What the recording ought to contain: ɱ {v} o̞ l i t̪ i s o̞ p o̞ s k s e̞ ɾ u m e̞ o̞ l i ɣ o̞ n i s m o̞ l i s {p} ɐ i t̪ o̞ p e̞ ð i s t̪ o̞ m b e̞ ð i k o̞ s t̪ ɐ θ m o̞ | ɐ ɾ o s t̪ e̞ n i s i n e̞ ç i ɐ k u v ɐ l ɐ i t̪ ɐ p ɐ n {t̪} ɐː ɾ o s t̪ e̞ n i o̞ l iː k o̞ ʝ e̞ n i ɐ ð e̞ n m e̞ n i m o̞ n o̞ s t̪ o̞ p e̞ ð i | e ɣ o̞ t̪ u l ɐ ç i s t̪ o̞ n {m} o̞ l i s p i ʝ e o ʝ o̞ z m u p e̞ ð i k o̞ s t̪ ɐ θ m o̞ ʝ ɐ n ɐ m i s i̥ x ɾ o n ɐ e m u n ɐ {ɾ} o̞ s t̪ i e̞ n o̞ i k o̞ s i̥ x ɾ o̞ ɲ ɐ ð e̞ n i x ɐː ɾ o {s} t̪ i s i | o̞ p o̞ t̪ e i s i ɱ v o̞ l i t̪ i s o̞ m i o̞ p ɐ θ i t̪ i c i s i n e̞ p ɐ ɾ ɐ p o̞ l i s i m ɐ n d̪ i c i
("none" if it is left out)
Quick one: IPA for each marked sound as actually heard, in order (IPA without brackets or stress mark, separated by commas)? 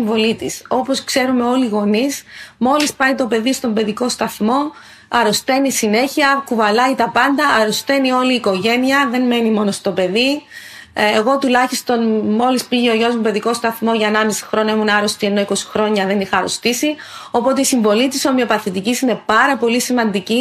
v, p, d̪, m, ɾ, s